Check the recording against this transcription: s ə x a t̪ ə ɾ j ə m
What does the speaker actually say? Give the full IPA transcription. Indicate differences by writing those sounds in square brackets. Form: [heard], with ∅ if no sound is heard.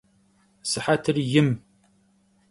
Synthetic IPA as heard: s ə [ħ] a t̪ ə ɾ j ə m